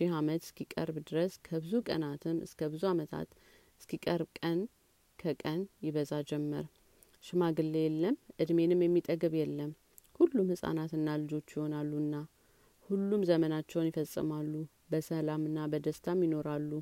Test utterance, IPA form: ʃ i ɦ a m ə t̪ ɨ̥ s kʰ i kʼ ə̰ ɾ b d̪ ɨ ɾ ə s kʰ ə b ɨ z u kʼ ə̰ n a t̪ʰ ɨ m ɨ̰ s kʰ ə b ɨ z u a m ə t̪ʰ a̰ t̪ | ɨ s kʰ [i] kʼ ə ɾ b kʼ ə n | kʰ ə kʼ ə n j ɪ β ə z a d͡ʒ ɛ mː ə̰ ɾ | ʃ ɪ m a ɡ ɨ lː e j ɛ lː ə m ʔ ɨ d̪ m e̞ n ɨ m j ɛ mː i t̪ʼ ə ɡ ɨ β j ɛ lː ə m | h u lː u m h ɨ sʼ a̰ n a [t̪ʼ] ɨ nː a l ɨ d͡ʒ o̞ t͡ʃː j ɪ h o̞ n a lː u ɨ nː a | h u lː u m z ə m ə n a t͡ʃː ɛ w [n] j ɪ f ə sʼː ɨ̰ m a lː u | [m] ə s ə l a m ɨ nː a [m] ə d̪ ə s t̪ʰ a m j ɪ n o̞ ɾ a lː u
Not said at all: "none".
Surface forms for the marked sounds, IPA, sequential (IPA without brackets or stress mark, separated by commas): i, t̪, n, b, b